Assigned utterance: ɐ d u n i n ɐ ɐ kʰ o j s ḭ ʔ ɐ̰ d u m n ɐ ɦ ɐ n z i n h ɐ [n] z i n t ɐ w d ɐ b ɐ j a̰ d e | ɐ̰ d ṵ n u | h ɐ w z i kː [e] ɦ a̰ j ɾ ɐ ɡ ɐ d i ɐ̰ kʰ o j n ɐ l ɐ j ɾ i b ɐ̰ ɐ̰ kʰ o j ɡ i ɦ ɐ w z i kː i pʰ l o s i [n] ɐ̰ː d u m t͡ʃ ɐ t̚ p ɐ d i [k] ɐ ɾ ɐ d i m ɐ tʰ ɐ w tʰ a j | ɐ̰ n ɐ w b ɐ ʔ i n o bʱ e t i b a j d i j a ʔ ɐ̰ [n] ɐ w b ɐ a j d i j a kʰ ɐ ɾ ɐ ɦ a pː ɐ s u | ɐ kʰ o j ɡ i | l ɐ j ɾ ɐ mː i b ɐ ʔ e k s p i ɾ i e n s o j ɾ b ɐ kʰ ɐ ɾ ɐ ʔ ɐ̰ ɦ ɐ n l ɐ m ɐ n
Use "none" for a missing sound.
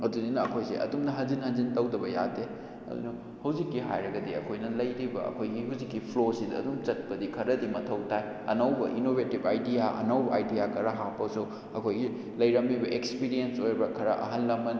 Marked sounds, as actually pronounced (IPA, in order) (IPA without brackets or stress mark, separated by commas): n, i, d, kʰ, n